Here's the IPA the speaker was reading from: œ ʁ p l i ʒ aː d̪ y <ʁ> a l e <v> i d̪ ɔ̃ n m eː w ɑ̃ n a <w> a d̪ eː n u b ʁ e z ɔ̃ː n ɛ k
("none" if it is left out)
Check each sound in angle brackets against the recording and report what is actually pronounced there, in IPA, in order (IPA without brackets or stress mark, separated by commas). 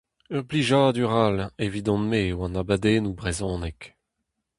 ʁ, v, b